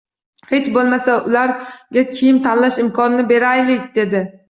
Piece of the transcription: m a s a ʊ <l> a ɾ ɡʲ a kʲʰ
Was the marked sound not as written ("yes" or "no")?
no